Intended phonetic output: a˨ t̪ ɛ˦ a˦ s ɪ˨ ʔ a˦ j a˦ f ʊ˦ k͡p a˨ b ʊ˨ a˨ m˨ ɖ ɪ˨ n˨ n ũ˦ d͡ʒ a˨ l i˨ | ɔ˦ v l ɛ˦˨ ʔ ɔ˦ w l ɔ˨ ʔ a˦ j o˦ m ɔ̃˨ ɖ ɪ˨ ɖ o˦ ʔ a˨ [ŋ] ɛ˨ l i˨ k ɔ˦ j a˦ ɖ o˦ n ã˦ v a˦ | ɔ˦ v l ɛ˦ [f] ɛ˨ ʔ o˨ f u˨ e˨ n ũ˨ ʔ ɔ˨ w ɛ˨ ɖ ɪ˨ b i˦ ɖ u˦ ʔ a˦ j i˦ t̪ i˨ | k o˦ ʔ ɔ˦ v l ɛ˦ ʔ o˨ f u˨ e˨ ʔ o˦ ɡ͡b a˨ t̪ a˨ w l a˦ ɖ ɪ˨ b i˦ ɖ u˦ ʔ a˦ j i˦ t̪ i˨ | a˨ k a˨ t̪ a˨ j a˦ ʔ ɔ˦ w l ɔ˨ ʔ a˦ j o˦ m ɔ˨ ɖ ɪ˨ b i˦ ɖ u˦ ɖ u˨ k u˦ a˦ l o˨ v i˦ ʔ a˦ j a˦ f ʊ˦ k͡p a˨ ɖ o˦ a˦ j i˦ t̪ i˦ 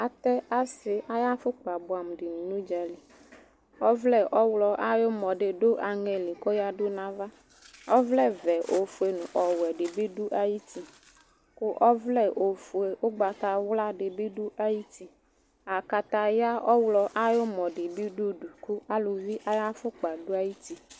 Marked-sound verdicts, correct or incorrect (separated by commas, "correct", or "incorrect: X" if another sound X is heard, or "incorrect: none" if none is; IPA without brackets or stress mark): correct, incorrect: v